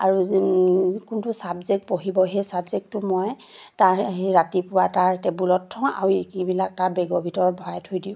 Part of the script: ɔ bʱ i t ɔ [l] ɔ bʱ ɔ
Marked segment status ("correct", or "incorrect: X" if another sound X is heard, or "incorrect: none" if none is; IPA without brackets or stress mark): incorrect: ɹ